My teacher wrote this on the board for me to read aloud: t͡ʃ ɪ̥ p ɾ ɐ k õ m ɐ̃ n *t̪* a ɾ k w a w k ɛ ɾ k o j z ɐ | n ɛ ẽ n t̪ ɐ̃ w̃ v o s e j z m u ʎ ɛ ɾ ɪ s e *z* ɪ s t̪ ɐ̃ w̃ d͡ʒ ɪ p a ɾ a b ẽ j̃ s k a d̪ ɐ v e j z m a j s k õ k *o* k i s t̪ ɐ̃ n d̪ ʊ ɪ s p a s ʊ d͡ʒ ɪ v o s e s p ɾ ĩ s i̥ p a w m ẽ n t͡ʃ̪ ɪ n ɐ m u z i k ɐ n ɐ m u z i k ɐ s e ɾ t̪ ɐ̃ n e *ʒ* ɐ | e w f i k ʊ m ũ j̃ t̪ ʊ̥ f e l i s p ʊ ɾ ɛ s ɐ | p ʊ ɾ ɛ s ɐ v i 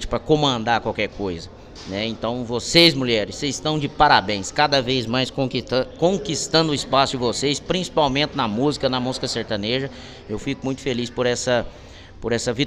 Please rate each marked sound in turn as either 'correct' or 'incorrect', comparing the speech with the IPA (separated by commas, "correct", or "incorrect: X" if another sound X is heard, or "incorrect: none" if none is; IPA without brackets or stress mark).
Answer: incorrect: d̪, correct, incorrect: õ, correct